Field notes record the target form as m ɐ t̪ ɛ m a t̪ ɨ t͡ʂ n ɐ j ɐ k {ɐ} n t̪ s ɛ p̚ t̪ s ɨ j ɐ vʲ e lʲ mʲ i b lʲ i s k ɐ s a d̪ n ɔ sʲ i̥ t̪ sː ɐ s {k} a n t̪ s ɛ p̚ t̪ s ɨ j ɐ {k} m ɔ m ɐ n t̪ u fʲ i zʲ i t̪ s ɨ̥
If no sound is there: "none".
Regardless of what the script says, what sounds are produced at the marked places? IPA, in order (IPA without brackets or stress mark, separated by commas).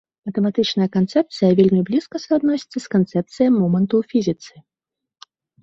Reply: a, k, none